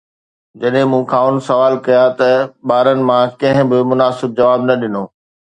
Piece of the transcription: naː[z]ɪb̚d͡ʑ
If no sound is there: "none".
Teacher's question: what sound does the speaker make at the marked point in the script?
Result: s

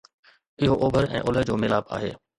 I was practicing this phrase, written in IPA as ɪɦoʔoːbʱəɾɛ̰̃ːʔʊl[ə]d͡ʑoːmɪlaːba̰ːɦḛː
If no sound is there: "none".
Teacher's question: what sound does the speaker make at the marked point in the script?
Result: ə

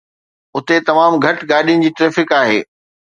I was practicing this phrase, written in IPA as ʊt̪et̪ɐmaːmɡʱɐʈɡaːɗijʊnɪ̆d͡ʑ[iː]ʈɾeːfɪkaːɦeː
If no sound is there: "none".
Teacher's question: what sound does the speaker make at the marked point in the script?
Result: iː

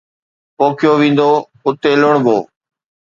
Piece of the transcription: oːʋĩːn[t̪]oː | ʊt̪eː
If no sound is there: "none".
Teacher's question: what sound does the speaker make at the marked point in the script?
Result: d̪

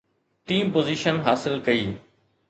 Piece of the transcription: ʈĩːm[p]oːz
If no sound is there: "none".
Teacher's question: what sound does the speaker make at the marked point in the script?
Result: p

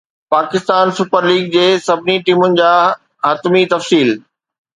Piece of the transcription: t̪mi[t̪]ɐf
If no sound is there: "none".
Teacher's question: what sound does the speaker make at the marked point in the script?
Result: t̪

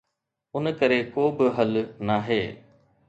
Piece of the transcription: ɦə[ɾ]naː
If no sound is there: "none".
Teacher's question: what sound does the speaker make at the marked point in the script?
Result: l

